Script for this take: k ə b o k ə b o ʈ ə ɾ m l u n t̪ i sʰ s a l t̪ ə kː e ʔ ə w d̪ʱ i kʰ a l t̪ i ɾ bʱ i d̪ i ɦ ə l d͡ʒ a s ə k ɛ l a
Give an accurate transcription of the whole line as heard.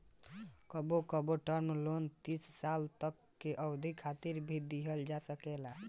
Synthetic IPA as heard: k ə b o k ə b o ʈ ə ɾ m l o n t̪ i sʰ s a l t̪ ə kː e ʔ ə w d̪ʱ i kʰ a t̪ i ɾ bʱ i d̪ i ɦ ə l d͡ʒ a s ə k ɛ l a